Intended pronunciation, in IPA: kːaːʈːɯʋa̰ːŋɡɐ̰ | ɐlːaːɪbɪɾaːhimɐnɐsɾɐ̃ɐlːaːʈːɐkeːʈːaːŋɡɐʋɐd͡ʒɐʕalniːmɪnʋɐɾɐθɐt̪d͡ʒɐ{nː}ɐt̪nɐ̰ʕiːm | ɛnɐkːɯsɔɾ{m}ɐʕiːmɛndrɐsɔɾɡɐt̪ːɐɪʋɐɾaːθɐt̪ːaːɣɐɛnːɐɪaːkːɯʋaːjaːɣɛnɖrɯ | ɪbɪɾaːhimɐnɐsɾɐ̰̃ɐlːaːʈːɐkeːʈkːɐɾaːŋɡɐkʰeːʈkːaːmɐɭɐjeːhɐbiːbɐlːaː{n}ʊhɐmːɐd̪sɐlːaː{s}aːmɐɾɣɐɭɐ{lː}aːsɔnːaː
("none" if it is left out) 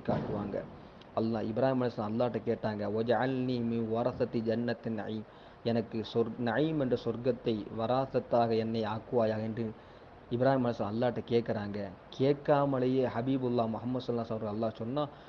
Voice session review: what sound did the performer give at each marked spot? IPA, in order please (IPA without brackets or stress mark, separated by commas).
nː, n, m, s, lː